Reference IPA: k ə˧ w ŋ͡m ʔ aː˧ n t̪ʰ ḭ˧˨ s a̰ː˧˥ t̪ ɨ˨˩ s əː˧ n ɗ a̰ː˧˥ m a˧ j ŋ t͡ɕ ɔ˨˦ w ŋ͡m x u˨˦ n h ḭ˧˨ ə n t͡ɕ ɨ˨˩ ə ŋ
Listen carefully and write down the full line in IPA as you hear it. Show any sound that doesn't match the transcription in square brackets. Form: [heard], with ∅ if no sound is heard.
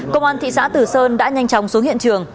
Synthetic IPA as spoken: k ə˧ w ŋ͡m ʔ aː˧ n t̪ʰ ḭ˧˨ s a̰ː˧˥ t̪ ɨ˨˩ s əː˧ n ɗ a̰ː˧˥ [ɲ] a˧ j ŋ t͡ɕ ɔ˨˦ w ŋ͡m [s] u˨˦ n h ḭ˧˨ ə n t͡ɕ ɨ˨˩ ə ŋ